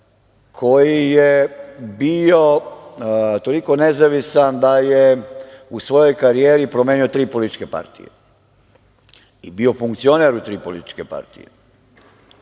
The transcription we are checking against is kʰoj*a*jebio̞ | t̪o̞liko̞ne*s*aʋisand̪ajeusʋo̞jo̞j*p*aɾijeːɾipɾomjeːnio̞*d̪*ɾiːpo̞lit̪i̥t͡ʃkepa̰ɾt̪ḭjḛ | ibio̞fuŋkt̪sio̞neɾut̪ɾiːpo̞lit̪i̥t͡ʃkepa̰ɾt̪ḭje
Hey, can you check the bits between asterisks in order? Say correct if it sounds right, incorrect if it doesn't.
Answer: incorrect, incorrect, incorrect, incorrect

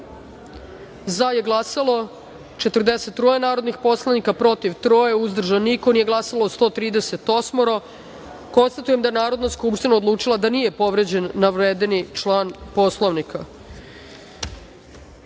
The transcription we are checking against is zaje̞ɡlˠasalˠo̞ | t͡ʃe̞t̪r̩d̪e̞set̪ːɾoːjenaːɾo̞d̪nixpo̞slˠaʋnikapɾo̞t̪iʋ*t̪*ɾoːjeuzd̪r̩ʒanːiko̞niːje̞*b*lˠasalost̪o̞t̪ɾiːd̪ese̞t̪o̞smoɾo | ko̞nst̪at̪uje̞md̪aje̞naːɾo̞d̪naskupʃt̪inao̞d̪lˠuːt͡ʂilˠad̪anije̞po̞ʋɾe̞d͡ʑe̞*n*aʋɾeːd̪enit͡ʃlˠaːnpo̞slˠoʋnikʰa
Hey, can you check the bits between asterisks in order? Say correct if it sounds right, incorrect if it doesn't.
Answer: correct, incorrect, incorrect

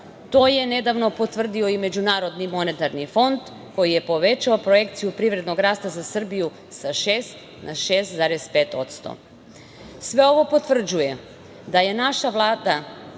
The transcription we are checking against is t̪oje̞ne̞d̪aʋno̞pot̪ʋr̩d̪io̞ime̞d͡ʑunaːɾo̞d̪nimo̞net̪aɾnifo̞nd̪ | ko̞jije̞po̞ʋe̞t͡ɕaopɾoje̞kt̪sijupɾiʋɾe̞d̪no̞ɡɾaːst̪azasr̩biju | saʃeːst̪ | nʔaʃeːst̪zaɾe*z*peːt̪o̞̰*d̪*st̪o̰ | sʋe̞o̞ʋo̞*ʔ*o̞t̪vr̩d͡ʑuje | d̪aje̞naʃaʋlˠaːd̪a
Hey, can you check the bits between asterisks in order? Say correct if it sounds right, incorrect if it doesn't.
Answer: incorrect, incorrect, incorrect

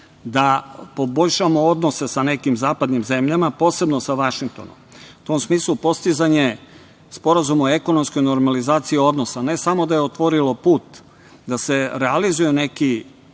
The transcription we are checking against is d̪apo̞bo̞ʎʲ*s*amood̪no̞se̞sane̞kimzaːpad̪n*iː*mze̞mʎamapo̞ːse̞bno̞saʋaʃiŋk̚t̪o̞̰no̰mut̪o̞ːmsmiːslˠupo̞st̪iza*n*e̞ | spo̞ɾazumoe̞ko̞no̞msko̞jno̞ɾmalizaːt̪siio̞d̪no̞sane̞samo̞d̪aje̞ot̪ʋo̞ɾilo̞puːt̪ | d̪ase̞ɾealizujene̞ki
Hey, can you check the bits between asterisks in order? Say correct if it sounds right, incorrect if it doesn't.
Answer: incorrect, incorrect, incorrect

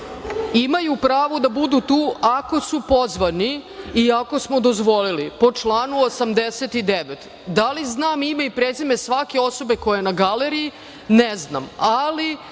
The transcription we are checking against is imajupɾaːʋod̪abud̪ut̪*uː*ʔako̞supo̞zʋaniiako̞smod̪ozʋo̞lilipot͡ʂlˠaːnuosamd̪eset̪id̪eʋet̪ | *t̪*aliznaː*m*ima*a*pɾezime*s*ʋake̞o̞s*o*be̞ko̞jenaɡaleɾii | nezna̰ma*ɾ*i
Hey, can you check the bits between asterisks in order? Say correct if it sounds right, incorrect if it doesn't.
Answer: correct, incorrect, correct, incorrect, correct, correct, incorrect

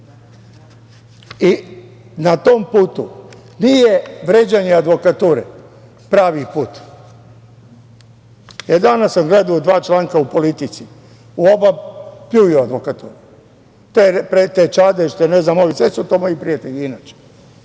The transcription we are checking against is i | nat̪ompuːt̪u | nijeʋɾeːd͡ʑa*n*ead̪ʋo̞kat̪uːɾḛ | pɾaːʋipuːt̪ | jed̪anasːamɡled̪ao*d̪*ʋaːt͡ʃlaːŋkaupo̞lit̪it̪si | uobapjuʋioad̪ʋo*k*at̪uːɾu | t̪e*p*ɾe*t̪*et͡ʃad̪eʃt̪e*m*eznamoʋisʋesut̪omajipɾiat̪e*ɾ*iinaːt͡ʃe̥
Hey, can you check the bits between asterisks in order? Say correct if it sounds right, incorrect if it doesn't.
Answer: incorrect, correct, correct, correct, correct, incorrect, incorrect

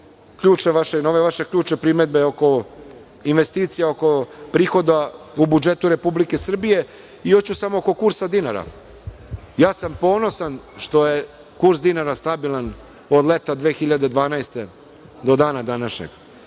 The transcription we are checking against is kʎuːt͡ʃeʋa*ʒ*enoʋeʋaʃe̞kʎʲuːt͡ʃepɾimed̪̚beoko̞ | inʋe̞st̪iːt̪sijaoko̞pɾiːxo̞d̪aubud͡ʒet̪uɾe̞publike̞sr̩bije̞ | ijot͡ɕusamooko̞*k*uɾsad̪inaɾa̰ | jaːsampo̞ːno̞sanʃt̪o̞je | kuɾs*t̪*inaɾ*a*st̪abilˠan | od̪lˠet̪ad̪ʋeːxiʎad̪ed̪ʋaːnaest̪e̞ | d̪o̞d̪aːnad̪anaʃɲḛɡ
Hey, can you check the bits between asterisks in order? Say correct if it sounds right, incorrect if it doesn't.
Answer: incorrect, correct, incorrect, correct

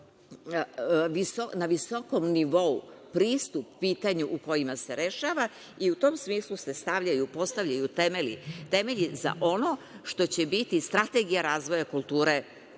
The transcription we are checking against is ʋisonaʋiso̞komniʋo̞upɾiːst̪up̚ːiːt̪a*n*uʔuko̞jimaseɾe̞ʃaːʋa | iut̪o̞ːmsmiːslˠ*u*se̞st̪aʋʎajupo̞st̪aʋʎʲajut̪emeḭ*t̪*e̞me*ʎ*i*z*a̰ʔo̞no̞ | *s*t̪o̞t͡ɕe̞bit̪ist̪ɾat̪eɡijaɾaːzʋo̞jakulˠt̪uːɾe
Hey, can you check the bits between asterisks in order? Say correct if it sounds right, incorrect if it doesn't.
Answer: incorrect, correct, correct, correct, correct, incorrect

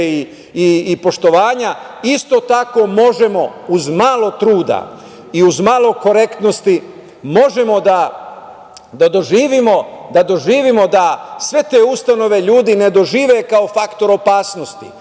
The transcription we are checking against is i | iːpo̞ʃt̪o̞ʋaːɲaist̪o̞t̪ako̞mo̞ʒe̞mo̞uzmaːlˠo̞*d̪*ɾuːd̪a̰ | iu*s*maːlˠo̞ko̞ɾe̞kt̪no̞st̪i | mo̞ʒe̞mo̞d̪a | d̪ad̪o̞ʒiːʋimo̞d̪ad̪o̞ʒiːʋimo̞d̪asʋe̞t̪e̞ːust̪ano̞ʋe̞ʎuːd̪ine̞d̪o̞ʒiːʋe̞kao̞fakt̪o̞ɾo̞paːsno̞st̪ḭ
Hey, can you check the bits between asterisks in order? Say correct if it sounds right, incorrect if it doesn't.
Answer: incorrect, incorrect

